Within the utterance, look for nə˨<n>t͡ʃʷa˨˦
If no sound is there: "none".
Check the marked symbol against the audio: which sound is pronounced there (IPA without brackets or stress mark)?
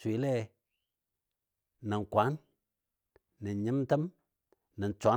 n